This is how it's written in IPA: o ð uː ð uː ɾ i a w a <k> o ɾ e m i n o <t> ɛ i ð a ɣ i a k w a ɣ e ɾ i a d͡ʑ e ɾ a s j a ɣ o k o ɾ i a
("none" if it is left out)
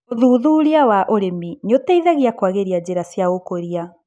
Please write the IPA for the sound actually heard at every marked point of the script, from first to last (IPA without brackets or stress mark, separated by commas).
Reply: ʔ, t